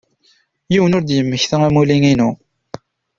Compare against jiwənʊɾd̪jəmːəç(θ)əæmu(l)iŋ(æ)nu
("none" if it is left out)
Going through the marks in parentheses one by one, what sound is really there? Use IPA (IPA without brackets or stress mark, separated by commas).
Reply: θ, l, i